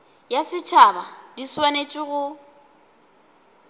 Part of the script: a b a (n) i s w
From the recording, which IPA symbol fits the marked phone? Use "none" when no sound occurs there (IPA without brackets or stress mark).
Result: d